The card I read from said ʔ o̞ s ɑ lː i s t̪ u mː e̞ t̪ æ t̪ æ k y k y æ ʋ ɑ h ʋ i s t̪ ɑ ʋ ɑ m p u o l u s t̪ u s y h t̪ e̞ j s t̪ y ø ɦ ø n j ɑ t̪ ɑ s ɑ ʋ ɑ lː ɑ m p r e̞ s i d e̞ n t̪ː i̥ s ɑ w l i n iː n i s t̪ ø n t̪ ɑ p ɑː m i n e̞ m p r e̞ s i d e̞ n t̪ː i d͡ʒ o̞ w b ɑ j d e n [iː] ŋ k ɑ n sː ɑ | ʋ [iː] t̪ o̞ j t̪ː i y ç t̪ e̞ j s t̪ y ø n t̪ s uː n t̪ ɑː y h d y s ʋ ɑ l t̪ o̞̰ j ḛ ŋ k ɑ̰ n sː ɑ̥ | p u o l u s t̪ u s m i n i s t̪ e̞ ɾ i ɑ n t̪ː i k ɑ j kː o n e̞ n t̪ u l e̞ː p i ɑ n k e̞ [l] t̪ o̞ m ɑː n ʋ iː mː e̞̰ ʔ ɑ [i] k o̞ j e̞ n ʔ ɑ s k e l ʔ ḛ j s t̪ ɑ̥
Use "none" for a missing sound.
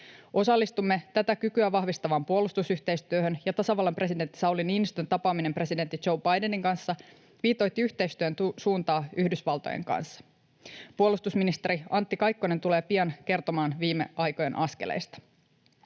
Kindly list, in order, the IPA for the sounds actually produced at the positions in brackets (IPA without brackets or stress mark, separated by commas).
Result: i, iː, r, j